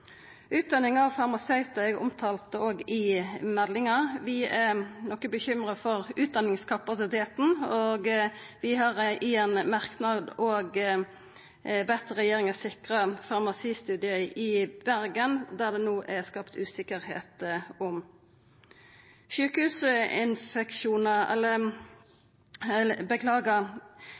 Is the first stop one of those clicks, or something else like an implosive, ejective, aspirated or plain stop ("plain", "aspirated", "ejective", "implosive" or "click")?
plain